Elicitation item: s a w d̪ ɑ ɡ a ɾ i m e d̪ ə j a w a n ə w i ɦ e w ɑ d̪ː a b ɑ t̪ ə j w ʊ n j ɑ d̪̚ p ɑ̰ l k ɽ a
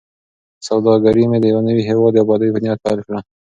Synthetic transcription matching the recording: s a w d̪ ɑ ɡ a ɾ i m e d̪ ə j a w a n ə w i ɦ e w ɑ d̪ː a b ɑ d̪ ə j b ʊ n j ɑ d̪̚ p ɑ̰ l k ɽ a